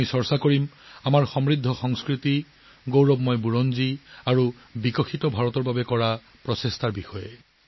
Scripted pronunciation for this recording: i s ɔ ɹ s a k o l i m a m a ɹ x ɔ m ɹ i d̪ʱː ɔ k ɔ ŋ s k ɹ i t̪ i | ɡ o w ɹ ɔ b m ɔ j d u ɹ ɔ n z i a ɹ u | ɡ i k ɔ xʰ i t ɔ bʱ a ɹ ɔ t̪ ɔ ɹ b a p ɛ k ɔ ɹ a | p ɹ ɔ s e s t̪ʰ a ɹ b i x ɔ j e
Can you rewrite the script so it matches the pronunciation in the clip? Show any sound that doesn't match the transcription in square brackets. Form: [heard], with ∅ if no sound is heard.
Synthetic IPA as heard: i s ɔ ɹ s a k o [ɹ] i m a m a ɹ x ɔ m ɹ i d̪ʱː ɔ [x] ɔ ŋ s k ɹ i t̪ i | ɡ o w ɹ ɔ b m ɔ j [b] u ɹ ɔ n z i a ɹ u | [b] i k ɔ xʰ i t ɔ bʱ a ɹ ɔ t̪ ɔ ɹ b a [b] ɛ k ɔ ɹ a | p ɹ ɔ s e s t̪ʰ a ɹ b i x ɔ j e